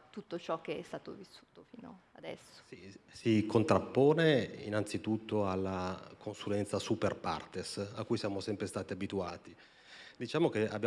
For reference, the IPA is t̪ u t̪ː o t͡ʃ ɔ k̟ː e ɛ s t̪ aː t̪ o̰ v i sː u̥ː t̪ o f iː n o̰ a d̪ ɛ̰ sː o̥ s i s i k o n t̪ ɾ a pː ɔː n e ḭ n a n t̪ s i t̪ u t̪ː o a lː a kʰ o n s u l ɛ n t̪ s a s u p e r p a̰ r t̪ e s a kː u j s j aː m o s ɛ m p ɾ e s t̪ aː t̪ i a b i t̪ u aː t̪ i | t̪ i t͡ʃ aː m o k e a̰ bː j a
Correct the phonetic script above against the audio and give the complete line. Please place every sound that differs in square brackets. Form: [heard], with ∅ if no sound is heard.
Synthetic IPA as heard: t̪ u t̪ː o t͡ʃ ɔ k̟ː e ɛ s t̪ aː t̪ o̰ v i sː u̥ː t̪ o f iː n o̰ a d̪ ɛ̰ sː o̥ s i s i k o n t̪ ɾ a pː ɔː n e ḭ n a n t̪ s i t̪ u t̪ː o a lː a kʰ o n s u l ɛ n t̪ s a s u p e r p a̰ r t̪ e s a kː u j s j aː m o s ɛ m p ɾ e s t̪ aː t̪ i a b i t̪ u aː t̪ i | [d̪] i t͡ʃ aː m o k e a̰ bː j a